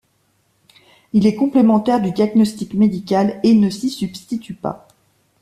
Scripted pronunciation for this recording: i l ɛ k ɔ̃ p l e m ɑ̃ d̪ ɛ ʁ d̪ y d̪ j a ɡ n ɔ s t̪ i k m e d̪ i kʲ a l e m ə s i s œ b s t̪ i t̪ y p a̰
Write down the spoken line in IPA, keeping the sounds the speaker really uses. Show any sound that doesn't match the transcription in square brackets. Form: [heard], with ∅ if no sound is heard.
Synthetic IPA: i l ɛ k ɔ̃ p l e m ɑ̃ [t̪] ɛ ʁ d̪ y d̪ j a ɡ n ɔ s t̪ i k m e d̪ i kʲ a l e [n] ə s i s [y] b s t̪ i t̪ y p a̰